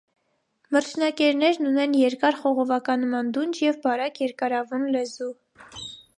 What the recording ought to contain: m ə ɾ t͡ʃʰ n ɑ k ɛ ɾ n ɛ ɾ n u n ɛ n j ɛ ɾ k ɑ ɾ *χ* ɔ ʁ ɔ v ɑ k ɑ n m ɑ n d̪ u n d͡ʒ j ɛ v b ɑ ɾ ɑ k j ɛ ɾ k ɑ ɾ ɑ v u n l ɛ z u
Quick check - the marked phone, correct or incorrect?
correct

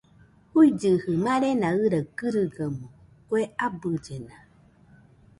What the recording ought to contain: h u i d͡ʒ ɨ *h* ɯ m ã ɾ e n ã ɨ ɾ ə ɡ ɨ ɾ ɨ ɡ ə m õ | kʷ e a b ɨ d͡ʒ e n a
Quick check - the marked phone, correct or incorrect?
correct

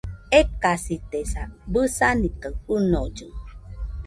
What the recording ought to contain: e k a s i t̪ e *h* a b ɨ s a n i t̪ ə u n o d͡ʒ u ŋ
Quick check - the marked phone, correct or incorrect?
incorrect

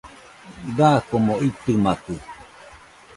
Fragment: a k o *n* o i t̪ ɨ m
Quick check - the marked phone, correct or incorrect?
incorrect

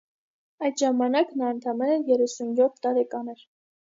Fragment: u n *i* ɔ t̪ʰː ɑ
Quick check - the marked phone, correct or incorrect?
incorrect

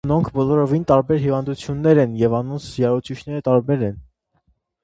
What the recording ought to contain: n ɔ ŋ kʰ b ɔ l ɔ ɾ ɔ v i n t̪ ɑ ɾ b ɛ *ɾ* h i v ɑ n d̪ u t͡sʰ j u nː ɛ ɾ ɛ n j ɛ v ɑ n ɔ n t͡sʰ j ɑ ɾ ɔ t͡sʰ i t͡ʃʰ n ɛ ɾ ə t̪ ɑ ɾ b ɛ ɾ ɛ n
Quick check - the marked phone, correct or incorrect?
correct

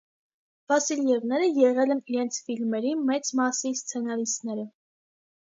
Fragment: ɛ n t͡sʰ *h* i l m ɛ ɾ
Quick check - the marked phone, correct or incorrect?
incorrect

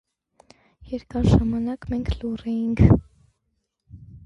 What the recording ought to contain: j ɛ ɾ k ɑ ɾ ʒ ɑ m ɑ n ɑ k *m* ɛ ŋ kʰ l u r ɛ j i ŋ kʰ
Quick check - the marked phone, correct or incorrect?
correct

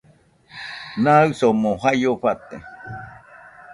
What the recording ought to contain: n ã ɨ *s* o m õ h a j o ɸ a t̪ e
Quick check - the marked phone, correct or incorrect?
correct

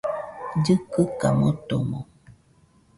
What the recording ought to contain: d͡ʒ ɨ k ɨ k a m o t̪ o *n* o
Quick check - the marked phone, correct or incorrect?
incorrect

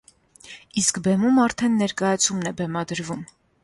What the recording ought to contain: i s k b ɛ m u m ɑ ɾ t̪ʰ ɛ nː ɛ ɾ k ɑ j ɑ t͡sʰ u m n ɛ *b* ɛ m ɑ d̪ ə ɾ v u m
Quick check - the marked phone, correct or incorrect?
correct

